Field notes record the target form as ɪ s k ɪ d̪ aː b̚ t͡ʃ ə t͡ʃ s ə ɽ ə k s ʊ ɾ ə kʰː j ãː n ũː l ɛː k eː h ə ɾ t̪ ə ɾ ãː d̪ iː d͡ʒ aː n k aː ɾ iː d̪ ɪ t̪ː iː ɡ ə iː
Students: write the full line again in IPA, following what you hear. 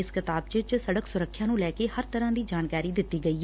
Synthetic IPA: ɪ s k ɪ t̪ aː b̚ t͡ʃ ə t͡ʃ s ə ɽ ə k s ʊ ɾ ə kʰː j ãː n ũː l ɛː k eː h ə ɾ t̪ ə ɾ ãː d̪ iː d͡ʒ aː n k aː ɾ iː d̪ ɪ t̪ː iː ɡ ə iː